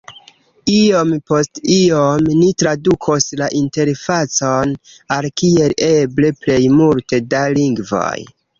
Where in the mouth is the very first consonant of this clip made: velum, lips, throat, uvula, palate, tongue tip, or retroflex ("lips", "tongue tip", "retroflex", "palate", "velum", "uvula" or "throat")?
lips